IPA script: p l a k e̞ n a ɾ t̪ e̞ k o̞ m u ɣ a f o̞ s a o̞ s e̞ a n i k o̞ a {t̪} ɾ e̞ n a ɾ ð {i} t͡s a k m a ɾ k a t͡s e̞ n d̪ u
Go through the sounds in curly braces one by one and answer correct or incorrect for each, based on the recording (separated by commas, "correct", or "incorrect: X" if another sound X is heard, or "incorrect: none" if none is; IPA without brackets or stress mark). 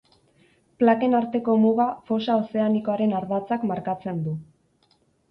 incorrect: none, incorrect: a